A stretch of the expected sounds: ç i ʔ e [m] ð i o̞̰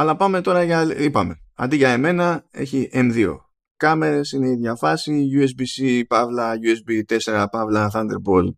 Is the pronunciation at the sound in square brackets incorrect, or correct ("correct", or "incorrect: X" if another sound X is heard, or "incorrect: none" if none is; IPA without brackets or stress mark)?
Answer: correct